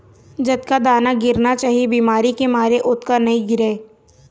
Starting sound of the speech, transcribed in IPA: d͡ʒ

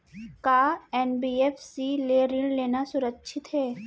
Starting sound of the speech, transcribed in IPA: k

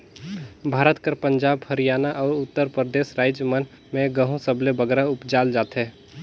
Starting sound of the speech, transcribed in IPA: bʱ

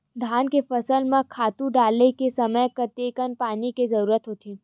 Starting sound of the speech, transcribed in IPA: d̪ʱ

